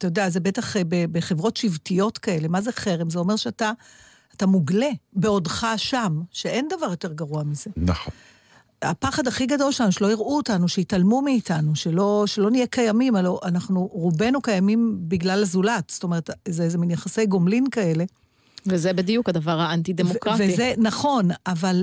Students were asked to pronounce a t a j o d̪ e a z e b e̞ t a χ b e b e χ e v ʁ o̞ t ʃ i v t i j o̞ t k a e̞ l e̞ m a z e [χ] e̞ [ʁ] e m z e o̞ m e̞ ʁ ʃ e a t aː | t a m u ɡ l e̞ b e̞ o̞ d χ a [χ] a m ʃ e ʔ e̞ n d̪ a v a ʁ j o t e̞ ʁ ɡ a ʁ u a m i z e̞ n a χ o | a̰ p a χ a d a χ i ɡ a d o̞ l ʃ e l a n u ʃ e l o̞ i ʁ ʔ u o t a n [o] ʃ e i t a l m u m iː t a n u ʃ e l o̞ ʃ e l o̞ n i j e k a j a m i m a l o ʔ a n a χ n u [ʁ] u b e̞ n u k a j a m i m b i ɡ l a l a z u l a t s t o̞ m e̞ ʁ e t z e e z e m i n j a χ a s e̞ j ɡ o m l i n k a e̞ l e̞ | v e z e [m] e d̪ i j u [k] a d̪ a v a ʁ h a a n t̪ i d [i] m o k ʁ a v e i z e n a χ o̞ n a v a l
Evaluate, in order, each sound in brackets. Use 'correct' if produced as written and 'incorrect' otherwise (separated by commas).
correct, correct, incorrect, incorrect, correct, incorrect, correct, incorrect